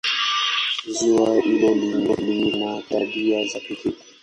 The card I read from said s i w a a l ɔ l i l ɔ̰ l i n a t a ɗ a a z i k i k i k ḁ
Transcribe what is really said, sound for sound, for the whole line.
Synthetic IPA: z i w a i l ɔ l i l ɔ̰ l i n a t a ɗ i a z a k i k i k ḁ